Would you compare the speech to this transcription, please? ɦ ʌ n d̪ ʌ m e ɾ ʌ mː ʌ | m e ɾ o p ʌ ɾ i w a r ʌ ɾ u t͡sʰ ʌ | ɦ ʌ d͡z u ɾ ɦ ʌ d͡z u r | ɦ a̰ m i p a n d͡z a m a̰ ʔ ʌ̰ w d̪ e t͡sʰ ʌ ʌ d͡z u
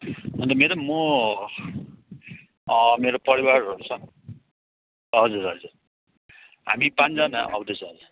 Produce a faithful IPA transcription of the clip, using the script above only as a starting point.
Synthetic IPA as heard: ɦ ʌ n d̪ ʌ m e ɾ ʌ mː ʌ | m e ɾ o p ʌ ɾ i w a r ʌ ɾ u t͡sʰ ʌ | ɦ ʌ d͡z u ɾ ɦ ʌ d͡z u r | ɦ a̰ m i p a n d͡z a n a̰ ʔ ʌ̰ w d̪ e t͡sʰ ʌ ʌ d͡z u

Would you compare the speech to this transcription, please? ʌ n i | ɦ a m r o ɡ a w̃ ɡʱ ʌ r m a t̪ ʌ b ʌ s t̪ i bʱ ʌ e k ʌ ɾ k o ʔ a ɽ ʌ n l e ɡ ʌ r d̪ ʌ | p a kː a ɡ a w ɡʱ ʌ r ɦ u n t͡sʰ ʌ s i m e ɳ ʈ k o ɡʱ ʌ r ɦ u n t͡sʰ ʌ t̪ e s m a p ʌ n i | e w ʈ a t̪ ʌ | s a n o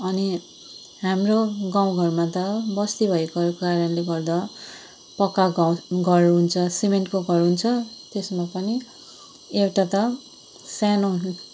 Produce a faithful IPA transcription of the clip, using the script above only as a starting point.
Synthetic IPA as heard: ʌ n i | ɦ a m r o ɡ a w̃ ɡʱ ʌ r m a t̪ ʌ b ʌ s t̪ i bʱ ʌ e k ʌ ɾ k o k a ɾ ʌ n l e ɡ ʌ r d̪ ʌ | p ʌ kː a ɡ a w ɡʱ ʌ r ɦ u n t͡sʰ ʌ s i m e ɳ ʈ k o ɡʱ ʌ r ɦ u n t͡sʰ ʌ t̪ e s m a p ʌ n i | e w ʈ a t̪ ʌ | s a n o

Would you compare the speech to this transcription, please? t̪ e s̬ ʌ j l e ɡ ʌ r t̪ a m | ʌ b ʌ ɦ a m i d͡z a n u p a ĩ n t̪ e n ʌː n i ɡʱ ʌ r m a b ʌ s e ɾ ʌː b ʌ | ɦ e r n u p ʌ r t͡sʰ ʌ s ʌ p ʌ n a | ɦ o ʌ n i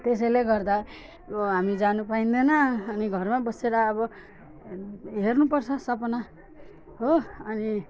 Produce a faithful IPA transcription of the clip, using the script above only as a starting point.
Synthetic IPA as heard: t̪ e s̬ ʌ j l e ɡ ʌ r d̪ a | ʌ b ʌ ɦ a m i d͡z a n u p a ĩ n d̪ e n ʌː n i ɡʱ ʌ r m a b ʌ s e ɾ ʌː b ʌ | ɦ e r n u p ʌ r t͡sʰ ʌ s ʌ p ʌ n a | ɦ o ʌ n i

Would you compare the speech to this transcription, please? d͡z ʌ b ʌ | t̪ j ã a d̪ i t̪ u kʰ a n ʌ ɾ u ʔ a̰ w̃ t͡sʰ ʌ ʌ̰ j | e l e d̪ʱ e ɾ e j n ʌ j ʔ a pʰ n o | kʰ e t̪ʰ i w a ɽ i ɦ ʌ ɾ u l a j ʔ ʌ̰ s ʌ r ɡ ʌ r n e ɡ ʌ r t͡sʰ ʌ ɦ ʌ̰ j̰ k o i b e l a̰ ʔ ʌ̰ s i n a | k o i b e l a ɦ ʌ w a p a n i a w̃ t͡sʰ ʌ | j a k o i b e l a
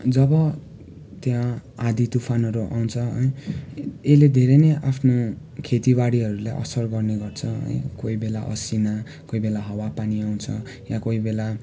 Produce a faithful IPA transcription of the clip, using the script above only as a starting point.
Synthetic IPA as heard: d͡z ʌ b ʌ | t̪ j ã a d̪ i t̪ u pʰ a n ʌ ɾ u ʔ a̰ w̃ t͡sʰ ʌ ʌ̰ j | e l e d̪ʱ e ɾ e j n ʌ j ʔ a pʰ n o | kʰ e t̪ i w a ɽ i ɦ ʌ ɾ u l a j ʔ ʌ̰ s ʌ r ɡ ʌ r n e ɡ ʌ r t͡sʰ ʌ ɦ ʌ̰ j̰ k o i b e l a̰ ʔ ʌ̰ s i n a | k o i b e l a ɦ ʌ w a p a n i a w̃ t͡sʰ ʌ | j a k o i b e l a

